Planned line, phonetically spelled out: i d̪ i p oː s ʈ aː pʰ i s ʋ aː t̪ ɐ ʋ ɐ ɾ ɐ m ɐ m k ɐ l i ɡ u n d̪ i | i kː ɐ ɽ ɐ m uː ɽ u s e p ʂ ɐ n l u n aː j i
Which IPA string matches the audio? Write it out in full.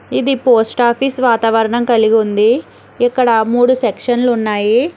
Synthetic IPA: i d̪ i p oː s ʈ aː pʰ i s ʋ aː t̪ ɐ ʋ ɐ ɾ ɐ ɳ ɐ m k ɐ l i ɡ u n d̪ i | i kː ɐ ɽ ɐ m uː ɽ u s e k ʂ ɐ n l u nː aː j i